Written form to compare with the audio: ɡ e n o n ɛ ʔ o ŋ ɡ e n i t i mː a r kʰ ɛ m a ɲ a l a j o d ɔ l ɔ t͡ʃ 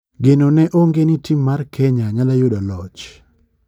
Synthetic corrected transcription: ɡ e n o n ɛ ʔ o ŋ ɡ e n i t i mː a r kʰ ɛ ɲ a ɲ a l a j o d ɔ l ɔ t͡ʃ